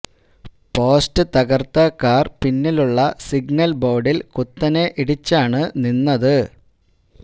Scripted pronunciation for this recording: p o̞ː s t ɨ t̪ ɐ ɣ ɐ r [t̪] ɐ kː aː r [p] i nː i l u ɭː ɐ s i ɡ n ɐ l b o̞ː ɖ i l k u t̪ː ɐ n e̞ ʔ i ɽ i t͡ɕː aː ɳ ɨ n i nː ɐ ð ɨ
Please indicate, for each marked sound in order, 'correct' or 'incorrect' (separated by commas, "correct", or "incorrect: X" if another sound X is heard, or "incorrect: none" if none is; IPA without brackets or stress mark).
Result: correct, correct